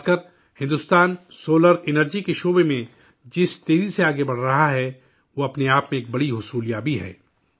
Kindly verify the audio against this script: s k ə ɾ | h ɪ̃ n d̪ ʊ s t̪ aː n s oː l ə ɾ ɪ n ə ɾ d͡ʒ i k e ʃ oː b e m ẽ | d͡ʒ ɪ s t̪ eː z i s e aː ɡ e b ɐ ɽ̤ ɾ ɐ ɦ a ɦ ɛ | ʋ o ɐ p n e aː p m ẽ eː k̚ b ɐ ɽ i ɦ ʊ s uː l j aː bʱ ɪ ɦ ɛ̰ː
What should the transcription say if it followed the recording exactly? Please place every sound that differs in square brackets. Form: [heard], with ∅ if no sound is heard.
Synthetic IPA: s k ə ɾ | h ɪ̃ n d̪ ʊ s t̪ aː n s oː l ə ɾ ɪ n ə ɾ d͡ʒ i k e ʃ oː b e m ẽ | d͡ʒ ɪ s t̪ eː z i s e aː ɡ e b ɐ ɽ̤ ɾ ɐ ɦ a ɦ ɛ | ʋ o ɐ p n e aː p m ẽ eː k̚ b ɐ ɽ i ɦ ʊ s uː l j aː bʱ [i] ɦ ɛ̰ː